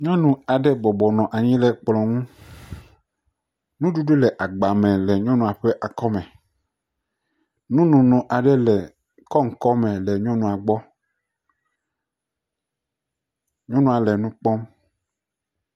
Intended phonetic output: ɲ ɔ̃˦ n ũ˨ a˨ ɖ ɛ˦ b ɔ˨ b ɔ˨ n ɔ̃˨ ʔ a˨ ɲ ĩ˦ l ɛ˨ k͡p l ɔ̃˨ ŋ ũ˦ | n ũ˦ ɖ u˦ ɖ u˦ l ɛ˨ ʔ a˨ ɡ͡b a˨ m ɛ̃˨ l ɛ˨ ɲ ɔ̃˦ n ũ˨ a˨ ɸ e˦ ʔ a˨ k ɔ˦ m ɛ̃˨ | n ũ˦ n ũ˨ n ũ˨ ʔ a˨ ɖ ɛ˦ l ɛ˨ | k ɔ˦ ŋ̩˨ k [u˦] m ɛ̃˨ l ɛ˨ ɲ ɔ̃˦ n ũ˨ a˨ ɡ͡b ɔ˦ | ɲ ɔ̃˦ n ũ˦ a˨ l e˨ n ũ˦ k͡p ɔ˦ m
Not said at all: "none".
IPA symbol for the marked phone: ɔ˦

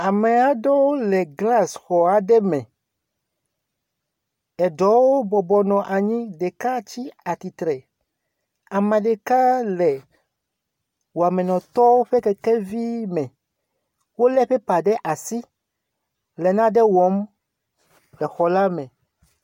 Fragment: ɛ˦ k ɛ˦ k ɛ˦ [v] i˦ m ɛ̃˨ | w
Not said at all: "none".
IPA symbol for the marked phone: v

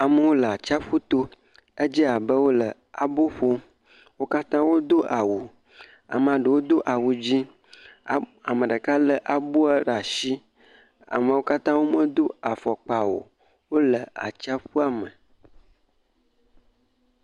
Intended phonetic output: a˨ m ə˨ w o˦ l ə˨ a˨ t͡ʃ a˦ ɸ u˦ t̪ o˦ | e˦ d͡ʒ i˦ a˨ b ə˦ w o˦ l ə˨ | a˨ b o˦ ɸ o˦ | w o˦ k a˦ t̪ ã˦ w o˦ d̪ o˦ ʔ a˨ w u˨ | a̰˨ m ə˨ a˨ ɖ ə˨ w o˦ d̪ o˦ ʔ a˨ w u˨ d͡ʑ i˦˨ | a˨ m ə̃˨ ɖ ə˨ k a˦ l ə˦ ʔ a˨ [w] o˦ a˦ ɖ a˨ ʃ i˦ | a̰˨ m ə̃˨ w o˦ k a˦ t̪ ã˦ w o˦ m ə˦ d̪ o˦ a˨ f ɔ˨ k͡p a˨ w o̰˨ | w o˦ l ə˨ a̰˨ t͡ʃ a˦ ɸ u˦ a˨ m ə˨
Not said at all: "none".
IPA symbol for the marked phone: b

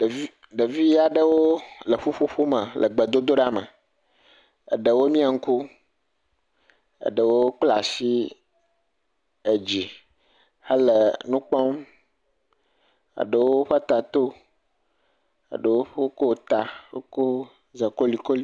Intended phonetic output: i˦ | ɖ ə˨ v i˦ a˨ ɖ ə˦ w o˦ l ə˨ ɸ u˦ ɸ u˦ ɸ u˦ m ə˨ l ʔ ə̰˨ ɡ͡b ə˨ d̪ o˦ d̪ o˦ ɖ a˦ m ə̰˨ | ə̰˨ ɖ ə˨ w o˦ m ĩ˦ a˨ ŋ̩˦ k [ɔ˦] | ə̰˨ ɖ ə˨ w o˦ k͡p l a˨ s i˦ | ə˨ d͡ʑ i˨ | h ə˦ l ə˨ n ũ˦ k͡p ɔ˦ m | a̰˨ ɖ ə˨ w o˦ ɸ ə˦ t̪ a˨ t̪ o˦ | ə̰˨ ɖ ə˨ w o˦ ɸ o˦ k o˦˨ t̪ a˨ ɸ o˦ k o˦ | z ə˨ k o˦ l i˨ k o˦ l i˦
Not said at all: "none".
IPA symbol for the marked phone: u˦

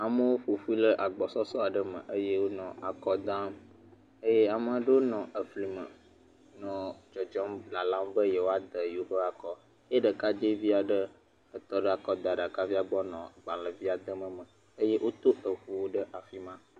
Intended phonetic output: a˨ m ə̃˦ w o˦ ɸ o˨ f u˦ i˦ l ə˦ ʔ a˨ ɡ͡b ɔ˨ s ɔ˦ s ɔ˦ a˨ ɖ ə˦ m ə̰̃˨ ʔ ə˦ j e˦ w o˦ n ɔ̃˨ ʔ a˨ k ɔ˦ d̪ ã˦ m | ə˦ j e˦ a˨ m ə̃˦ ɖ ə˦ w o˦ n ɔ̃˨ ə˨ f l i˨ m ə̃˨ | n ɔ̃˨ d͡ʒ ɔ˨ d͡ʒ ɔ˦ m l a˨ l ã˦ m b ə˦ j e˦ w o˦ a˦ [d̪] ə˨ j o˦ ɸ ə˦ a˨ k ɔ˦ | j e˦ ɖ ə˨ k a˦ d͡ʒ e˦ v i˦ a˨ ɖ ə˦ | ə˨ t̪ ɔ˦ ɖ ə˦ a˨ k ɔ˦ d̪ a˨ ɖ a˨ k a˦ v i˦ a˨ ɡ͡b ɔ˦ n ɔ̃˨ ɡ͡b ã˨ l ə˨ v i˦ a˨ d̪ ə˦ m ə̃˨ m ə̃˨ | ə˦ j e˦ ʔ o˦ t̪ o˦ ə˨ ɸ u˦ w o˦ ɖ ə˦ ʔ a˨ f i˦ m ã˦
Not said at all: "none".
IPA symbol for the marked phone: d̪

